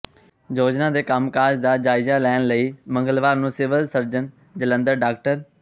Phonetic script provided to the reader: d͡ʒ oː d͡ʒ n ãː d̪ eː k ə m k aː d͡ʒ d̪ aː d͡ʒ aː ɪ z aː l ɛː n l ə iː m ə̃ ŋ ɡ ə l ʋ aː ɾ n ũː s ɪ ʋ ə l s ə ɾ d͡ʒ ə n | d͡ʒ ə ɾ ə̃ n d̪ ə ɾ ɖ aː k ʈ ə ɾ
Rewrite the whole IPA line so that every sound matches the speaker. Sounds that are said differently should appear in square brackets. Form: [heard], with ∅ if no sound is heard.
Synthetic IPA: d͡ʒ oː d͡ʒ n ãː d̪ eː k ə m k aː d͡ʒ d̪ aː d͡ʒ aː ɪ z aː l ɛː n l ə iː m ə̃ ŋ ɡ ə l ʋ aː ɾ n ũː s ɪ ʋ ə l s ə ɾ d͡ʒ ə n | d͡ʒ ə [l] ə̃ n d̪ ə ɾ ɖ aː k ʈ ə ɾ